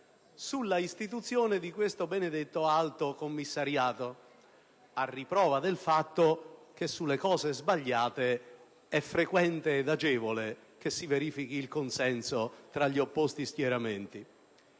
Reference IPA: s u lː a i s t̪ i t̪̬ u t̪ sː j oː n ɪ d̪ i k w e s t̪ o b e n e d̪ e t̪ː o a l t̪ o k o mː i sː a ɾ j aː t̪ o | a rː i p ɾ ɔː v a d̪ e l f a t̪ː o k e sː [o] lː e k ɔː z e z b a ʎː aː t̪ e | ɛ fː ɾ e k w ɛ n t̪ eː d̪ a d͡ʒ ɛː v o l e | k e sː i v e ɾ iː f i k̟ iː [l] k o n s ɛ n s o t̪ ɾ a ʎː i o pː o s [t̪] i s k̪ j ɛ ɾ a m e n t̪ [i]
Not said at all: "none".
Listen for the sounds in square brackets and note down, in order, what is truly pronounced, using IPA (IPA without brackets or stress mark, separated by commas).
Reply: u, l, t̪, i